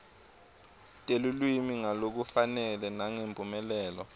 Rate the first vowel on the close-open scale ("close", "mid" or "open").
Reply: mid